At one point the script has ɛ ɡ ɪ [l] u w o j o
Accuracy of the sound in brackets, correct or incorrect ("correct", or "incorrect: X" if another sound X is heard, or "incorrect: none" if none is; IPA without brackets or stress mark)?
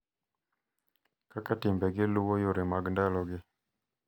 correct